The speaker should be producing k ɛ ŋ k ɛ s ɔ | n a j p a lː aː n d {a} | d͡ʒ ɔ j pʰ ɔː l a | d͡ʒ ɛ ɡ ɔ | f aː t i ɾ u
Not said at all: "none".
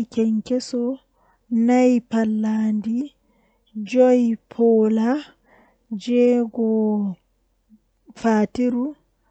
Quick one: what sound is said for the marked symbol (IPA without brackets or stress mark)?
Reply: i